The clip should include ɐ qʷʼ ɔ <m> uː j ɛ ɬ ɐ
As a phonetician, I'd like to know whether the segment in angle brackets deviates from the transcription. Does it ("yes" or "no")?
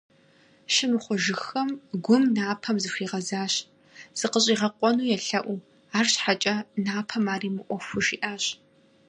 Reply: yes